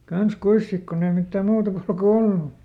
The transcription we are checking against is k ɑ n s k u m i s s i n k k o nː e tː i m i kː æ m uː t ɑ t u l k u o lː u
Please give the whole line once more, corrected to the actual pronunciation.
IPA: k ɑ n s k u i s s i k k o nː e i m i tː æ m uː t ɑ k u l k u o lː u